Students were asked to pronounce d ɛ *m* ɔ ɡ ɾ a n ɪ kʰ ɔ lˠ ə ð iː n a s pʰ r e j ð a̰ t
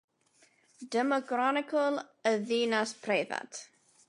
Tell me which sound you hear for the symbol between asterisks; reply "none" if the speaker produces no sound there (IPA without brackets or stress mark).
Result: m